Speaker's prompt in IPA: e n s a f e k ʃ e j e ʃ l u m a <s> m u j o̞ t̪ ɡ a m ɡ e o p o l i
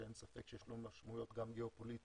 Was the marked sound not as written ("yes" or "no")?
yes